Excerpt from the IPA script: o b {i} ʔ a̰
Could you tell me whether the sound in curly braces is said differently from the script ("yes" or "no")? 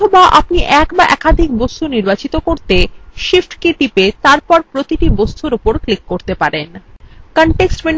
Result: yes